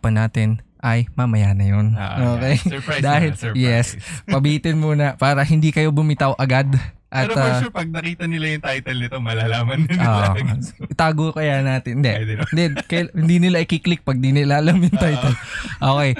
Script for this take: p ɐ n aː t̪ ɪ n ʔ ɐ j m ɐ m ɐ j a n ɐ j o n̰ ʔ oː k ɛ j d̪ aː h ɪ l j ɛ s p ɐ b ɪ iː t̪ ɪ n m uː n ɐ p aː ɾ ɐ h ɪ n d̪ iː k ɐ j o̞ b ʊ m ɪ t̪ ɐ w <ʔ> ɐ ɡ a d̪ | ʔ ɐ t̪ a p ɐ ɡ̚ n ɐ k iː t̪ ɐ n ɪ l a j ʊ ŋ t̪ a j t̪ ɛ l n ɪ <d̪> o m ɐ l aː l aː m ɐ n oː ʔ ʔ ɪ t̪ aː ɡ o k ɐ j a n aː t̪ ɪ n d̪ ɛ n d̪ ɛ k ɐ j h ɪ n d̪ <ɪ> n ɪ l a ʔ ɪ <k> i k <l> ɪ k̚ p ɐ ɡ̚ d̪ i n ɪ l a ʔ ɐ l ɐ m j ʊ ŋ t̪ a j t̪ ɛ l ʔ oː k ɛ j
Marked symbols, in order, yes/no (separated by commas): yes, no, no, yes, yes